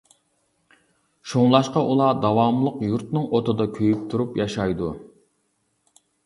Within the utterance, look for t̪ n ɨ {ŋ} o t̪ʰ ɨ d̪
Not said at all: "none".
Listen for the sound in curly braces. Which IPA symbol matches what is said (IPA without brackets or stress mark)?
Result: ŋ